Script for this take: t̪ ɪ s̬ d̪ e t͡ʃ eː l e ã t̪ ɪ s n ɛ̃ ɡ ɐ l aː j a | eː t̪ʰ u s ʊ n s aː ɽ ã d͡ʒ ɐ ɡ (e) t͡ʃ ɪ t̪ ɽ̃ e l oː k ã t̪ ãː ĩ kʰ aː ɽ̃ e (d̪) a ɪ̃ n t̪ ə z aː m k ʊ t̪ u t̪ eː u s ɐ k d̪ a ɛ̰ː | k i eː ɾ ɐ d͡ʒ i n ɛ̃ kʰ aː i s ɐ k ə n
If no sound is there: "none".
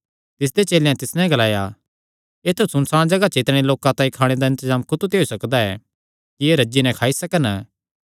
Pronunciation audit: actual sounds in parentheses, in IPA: a, d̪

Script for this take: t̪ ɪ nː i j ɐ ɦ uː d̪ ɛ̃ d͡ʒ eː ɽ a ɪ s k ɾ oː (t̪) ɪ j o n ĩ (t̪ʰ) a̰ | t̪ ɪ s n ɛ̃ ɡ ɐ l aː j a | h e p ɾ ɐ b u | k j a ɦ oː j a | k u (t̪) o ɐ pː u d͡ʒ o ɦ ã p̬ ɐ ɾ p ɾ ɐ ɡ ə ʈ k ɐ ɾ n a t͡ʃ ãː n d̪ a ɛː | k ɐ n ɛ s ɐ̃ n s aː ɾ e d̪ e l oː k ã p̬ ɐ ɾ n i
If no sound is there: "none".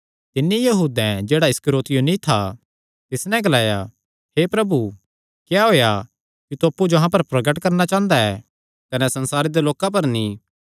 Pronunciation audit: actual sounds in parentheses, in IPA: t̪, t̪ʰ, t̪

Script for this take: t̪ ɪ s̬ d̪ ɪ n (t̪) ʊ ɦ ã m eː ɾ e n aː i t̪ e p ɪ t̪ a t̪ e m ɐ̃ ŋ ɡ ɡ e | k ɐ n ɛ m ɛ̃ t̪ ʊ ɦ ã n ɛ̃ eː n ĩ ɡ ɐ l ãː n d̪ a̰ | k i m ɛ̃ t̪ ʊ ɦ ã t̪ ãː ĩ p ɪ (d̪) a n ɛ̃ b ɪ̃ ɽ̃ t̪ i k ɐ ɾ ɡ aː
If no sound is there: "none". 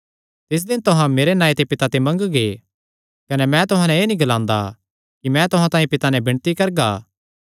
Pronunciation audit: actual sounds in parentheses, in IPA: t̪, t̪

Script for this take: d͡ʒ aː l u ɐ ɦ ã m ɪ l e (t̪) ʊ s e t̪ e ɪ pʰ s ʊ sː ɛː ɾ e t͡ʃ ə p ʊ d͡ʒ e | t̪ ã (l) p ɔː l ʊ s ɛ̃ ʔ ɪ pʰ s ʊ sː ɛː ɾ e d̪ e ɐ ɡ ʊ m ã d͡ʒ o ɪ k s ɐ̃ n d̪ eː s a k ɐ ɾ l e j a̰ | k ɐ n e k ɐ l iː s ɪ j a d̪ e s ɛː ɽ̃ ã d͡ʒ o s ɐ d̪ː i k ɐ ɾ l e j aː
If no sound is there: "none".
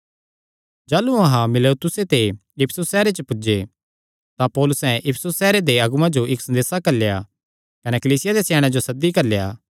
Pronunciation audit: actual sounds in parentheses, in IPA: t̪, none

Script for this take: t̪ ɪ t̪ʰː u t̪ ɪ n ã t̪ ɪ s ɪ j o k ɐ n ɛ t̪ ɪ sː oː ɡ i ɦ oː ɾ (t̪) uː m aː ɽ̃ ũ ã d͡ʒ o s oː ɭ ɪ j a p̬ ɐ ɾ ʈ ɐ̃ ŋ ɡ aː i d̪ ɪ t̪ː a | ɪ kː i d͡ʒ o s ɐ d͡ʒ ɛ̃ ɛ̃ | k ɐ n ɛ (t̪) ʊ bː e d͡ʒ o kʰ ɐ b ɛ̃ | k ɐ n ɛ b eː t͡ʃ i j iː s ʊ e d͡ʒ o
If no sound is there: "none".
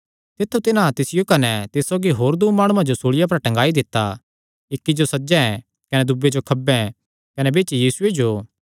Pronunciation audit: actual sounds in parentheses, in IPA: d̪, d̪

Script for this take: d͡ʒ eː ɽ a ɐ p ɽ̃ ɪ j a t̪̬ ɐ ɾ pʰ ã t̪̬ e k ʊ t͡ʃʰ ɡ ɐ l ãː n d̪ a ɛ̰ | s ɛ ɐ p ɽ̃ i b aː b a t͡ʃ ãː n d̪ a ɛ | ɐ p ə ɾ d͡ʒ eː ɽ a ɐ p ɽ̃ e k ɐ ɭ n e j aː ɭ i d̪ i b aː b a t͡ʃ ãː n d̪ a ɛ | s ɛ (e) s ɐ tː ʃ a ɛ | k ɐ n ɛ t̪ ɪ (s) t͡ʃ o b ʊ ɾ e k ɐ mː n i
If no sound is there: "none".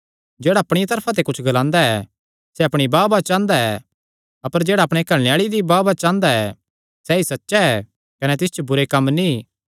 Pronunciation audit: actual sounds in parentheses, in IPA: i, s

